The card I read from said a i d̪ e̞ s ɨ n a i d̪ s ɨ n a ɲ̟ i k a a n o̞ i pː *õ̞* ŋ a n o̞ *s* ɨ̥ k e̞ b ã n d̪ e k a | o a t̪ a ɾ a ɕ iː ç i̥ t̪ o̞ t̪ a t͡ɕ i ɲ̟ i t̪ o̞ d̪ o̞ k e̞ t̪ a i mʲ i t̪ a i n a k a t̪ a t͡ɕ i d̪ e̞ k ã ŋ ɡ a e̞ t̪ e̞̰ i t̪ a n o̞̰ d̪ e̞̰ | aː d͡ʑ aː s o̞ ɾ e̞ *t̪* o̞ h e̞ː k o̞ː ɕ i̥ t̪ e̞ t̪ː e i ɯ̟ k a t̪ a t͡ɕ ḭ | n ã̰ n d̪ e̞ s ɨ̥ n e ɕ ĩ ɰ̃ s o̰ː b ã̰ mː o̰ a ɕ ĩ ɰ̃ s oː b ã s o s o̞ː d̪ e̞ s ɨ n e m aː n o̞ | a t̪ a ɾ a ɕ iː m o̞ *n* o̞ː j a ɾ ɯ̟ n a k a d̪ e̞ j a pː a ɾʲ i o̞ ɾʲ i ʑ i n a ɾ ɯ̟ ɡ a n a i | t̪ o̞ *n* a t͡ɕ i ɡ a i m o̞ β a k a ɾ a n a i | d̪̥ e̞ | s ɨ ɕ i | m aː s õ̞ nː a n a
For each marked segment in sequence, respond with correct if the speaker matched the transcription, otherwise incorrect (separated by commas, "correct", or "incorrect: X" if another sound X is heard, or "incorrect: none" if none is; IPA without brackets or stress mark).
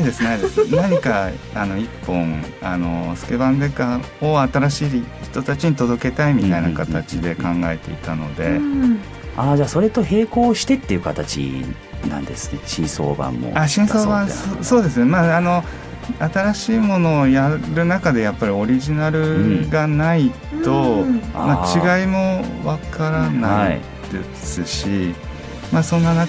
correct, correct, correct, correct, incorrect: m